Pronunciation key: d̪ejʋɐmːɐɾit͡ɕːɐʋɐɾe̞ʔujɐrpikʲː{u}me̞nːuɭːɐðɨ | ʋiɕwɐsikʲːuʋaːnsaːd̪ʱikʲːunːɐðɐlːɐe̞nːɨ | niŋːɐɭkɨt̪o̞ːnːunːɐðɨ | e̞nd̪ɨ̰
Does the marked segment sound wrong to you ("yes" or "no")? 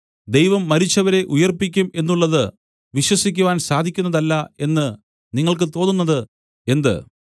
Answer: no